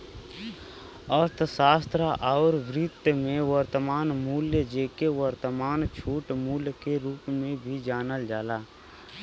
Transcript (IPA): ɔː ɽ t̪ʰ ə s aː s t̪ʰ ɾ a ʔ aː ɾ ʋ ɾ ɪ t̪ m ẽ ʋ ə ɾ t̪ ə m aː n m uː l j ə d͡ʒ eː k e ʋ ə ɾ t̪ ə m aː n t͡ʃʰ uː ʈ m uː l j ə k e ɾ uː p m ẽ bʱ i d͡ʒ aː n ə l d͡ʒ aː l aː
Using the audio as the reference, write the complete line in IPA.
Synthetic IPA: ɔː ɾ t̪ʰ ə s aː s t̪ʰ ɾ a ʔ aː ɾ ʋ ɾ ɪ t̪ m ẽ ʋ ə ɾ t̪ ə m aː n m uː l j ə d͡ʒ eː k e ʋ ə ɾ t̪ ə m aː n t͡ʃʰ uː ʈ m uː l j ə k e ɾ uː p m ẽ bʱ i d͡ʒ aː n ə l d͡ʒ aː l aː